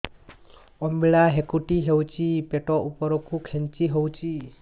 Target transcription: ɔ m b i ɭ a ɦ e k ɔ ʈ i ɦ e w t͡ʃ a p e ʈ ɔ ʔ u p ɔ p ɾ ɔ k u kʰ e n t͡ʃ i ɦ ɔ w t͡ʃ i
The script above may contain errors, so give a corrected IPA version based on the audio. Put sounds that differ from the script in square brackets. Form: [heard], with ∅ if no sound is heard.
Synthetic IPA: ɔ m b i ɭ a ɦ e k [u] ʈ i ɦ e w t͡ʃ [i] p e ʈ ɔ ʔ u p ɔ [∅] ɾ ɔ k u kʰ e n t͡ʃ i ɦ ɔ w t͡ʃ i